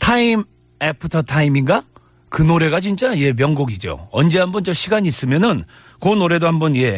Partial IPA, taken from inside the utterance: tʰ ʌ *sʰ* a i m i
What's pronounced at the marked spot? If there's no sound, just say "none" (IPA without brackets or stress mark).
tʰ